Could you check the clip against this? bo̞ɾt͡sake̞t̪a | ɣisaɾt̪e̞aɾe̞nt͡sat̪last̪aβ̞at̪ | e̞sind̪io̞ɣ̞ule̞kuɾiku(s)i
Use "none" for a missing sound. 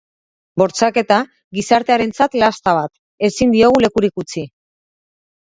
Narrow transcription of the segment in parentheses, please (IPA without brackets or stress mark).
t͡s